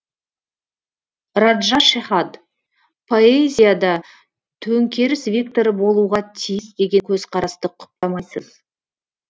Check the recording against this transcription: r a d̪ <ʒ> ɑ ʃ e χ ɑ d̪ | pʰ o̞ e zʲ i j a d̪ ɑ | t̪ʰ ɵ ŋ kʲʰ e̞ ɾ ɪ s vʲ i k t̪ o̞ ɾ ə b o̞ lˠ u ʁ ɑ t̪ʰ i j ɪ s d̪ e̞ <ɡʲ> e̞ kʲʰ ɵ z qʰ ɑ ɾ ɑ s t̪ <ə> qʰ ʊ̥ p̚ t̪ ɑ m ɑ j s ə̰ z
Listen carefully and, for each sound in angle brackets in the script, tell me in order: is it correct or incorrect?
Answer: correct, correct, correct

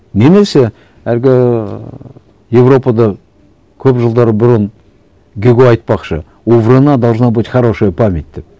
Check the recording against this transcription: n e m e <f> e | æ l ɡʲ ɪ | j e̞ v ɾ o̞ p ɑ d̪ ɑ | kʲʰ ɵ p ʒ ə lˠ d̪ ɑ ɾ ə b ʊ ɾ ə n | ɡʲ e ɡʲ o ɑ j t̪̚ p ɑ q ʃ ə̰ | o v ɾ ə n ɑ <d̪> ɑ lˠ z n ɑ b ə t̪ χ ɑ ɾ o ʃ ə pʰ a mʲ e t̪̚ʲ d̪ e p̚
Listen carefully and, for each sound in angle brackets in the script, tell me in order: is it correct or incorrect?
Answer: incorrect: s, correct

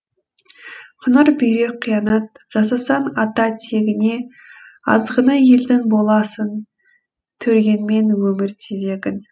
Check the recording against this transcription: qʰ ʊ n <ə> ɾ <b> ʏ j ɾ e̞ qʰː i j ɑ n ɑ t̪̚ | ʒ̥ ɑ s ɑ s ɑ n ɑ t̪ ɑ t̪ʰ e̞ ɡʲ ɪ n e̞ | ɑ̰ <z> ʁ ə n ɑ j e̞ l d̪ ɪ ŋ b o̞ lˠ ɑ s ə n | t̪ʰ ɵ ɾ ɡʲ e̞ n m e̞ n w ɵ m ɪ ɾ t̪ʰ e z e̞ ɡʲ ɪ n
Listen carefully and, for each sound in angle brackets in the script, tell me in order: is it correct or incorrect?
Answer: correct, correct, correct

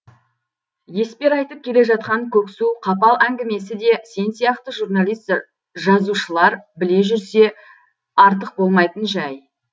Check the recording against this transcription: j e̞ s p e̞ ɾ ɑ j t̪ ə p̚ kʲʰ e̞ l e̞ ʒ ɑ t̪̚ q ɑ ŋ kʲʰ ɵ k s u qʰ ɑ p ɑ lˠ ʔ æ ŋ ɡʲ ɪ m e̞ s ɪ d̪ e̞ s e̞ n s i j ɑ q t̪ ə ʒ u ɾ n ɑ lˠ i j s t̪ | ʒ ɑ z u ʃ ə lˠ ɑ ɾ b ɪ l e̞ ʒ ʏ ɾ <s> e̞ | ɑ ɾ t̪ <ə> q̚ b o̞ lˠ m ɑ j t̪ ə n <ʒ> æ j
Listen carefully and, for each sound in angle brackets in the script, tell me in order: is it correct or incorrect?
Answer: correct, correct, correct

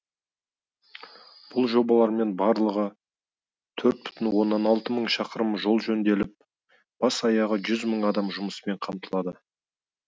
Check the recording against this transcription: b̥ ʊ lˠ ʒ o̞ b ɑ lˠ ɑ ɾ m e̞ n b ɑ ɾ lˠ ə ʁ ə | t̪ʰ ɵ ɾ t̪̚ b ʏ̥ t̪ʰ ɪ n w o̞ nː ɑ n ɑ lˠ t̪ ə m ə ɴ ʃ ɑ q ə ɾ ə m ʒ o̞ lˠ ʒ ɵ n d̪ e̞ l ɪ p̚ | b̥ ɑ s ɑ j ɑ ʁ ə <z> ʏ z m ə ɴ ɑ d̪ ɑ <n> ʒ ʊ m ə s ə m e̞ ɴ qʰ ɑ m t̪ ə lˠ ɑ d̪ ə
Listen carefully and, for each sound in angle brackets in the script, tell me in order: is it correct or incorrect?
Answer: incorrect: ʒ, incorrect: m

